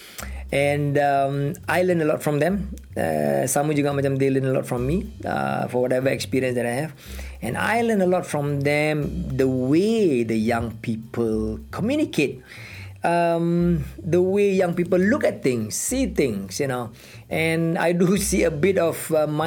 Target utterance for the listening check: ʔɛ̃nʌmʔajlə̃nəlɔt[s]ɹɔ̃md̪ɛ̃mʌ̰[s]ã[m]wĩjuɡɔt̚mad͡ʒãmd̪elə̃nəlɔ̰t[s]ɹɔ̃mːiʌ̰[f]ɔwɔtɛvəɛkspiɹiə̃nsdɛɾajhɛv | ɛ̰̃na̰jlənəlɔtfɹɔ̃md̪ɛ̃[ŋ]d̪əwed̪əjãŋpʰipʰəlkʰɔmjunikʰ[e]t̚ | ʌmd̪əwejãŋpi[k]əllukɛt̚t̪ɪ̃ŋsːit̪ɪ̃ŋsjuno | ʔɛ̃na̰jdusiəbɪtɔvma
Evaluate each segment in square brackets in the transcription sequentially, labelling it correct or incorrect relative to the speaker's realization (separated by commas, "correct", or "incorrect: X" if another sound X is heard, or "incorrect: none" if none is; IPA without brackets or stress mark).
incorrect: f, correct, correct, incorrect: f, correct, incorrect: m, correct, incorrect: p